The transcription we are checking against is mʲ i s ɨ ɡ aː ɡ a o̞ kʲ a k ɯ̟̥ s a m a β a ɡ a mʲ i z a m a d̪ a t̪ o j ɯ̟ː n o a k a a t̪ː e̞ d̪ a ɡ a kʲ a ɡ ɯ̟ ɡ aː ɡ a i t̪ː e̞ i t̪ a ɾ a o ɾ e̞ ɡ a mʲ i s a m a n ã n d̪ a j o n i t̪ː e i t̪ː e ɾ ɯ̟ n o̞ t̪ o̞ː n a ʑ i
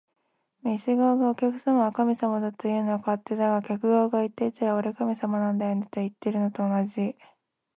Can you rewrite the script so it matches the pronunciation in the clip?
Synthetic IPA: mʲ i s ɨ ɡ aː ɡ a o̞ kʲ a k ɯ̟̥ s a m a β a k a mʲ i s a m a d̪ a t̪ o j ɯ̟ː n o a k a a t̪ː e̞ d̪ a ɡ a kʲ a k ɯ̟ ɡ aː ɡ a i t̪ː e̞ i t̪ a ɾ a o ɾ e̞ k a mʲ i s a m a n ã n d̪ a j o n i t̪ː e i t̪ː e ɾ ɯ̟ n o̞ t̪ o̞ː n a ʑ i